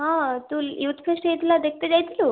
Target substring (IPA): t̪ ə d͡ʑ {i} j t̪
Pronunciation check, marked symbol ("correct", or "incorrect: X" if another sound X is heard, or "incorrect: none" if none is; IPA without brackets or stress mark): incorrect: a